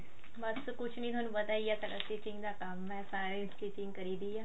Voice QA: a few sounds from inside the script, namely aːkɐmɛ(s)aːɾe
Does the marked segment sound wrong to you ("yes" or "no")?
no